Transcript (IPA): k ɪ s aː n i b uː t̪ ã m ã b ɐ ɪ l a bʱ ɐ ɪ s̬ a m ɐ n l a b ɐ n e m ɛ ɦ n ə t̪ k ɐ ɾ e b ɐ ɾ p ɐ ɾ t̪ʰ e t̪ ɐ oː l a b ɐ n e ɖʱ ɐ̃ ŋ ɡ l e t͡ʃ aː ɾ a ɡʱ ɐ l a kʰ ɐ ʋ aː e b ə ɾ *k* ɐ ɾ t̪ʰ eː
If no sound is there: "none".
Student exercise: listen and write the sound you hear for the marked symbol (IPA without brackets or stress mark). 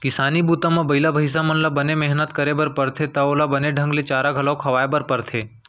p